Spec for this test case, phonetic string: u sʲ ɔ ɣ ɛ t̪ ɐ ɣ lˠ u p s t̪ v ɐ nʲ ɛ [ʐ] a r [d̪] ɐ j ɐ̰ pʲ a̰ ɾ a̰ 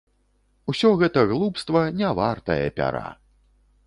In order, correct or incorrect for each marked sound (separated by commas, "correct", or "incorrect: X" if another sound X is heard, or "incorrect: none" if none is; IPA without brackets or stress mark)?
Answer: incorrect: v, incorrect: t̪